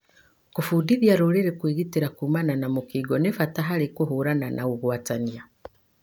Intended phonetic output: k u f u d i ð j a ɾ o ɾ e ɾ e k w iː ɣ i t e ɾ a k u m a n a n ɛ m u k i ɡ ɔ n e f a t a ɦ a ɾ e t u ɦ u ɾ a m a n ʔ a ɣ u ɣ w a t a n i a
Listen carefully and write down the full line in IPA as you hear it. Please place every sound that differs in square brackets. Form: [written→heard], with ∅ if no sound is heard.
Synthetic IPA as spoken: k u f u d i ð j a ɾ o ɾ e ɾ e k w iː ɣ i t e ɾ a k u m a n a n [ɛ→a] m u k i ɡ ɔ n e f a t a ɦ a ɾ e [t→k] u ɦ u ɾ a [m→n] a n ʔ a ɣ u ɣ w a t a n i a